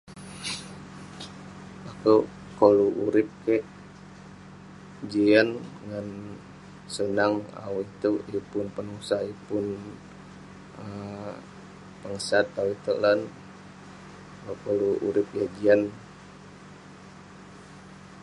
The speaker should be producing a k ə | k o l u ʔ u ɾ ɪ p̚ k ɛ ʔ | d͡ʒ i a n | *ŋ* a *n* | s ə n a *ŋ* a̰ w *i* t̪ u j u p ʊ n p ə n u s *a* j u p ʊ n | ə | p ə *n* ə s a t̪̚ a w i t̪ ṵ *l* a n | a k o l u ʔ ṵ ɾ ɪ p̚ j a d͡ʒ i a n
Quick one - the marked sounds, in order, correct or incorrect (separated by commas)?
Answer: correct, correct, correct, correct, correct, incorrect, correct